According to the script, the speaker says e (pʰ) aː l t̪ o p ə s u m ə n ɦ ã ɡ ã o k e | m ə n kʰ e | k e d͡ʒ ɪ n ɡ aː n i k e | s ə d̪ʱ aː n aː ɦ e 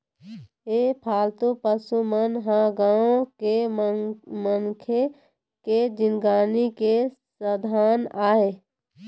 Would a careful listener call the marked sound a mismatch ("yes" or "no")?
no